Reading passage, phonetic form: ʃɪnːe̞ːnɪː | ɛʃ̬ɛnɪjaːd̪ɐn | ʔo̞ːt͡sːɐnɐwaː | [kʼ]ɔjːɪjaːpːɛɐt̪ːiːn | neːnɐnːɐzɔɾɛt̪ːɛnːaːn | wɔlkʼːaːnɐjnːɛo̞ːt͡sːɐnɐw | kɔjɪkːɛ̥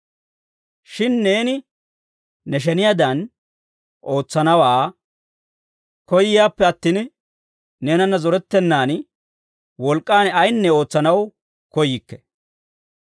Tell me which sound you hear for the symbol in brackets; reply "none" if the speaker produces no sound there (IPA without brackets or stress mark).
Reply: k